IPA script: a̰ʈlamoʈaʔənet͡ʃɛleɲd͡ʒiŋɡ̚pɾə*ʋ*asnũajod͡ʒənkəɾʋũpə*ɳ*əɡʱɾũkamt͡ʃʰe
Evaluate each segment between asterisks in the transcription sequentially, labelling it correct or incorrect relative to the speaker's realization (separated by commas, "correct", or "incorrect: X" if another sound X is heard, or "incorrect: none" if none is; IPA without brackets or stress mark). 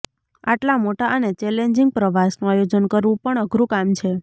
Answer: correct, correct